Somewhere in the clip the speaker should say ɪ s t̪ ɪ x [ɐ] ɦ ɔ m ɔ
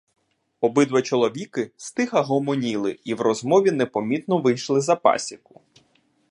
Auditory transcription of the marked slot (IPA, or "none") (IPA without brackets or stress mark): ɐ